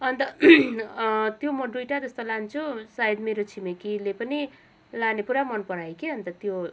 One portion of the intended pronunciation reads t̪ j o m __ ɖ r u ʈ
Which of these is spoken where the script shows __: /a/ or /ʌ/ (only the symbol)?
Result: ʌ